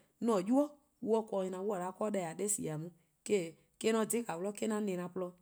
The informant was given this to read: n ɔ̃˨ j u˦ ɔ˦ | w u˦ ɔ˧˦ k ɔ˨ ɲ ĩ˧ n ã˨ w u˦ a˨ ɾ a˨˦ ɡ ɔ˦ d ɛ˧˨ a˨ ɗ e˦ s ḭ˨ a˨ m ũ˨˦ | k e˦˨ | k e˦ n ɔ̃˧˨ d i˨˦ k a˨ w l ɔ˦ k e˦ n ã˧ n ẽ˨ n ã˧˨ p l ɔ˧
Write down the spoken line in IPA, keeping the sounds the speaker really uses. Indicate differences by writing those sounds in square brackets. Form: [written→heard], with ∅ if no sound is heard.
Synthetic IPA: n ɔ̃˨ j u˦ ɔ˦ | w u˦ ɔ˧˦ k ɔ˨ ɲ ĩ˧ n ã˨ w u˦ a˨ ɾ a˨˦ [ɡ→k] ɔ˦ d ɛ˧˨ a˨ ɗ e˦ s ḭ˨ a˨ m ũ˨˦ | k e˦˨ | k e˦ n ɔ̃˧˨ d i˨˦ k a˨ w l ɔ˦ k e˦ n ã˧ n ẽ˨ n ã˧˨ p l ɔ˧

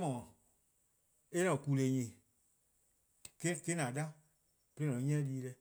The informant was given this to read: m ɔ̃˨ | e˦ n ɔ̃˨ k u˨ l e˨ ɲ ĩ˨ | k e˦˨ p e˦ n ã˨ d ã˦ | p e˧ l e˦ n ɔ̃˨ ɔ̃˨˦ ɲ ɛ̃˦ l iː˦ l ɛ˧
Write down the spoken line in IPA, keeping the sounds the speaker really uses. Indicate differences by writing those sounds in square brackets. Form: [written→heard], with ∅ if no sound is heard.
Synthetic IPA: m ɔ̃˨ | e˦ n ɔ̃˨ k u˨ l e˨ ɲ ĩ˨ | k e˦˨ [p→k] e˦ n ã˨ d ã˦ | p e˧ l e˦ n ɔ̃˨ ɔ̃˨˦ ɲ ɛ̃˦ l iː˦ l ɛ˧

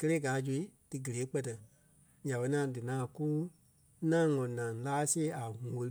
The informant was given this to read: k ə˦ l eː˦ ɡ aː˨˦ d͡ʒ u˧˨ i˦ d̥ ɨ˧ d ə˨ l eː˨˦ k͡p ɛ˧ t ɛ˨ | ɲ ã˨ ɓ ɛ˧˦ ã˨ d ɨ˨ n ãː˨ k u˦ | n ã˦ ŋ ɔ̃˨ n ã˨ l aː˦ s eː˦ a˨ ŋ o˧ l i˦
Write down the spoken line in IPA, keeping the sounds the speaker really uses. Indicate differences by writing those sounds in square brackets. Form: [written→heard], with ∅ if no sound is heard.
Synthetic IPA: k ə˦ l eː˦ ɡ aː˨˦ d͡ʒ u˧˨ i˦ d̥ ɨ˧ [d→ɡ] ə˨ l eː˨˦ k͡p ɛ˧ t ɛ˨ | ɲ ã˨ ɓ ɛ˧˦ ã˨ d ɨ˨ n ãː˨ k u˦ | n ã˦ ŋ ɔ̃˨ n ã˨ l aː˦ s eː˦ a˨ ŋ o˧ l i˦

